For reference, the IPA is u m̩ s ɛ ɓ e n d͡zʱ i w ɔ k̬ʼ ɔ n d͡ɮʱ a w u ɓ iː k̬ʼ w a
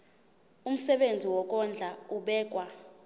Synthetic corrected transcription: u m̩ s ɛ ɓ e n d͡zʱ i w ɔ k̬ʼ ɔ n d͡ɮʱ a u ɓ ɛː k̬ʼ w a